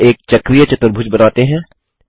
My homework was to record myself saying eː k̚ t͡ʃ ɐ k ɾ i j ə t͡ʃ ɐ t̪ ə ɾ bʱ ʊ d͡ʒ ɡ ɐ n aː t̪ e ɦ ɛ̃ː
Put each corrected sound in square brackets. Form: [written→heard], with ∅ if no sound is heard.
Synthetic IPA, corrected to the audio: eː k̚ t͡ʃ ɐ k ɾ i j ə t͡ʃ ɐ t̪ ə ɾ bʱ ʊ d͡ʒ [ɡ→b] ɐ n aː t̪ e ɦ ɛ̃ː